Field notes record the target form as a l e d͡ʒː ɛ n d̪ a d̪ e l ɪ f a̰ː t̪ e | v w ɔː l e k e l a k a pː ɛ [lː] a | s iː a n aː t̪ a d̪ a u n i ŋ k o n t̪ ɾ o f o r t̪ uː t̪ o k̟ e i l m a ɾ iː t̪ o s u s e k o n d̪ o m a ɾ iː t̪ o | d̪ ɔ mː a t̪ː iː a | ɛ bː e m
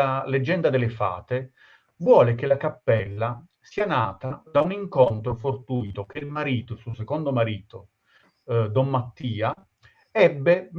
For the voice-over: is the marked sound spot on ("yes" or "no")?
yes